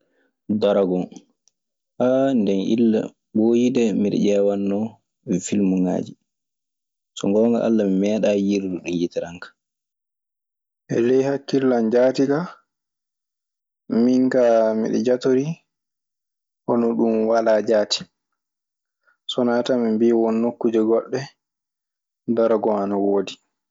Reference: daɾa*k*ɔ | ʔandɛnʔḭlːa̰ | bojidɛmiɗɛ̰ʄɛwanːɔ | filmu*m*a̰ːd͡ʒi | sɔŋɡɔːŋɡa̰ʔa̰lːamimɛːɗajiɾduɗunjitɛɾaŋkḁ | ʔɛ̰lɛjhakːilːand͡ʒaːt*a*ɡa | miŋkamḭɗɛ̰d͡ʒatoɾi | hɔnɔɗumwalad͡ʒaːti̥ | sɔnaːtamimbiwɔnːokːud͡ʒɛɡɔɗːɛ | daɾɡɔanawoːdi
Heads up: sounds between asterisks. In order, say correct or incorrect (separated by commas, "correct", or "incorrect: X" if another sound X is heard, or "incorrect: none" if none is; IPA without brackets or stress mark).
incorrect: ɡ, incorrect: ŋ, incorrect: i